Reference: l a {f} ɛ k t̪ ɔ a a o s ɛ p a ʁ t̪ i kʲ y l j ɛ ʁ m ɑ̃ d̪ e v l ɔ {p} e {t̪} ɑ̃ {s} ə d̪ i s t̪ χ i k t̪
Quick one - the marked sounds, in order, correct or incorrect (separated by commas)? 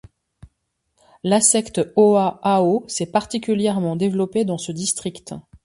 incorrect, correct, incorrect, correct